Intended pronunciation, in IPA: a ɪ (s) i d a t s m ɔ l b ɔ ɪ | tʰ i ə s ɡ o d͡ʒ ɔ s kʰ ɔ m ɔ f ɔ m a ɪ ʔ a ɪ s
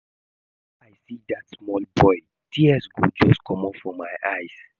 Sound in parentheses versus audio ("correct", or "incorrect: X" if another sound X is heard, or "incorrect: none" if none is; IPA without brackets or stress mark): correct